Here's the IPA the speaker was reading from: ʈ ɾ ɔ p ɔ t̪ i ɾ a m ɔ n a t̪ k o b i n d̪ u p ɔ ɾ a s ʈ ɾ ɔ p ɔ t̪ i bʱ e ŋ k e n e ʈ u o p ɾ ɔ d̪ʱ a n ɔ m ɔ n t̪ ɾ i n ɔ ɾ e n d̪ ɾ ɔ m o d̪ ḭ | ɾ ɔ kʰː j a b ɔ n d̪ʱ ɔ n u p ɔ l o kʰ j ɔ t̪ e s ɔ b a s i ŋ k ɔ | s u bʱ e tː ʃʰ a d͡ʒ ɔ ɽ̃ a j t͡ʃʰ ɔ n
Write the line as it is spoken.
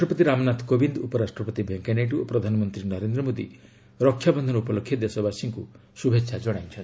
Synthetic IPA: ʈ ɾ ɔ p ɔ t̪ i ɾ a m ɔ n a t̪ k o b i n d̪ u p ɔ ɾ a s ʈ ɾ ɔ p ɔ t̪ i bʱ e ŋ k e n e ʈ u o p ɾ ɔ d̪ʱ a n ɔ m ɔ n t̪ ɾ i n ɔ ɾ e n d̪ ɾ ɔ m o d̪ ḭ | ɾ ɔ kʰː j a b ɔ n d̪ʱ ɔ n u p ɔ l o kʰ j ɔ d̪ e s ɔ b a s i ŋ k u | s u bʱ e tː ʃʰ a d͡ʒ ɔ ɽ̃ a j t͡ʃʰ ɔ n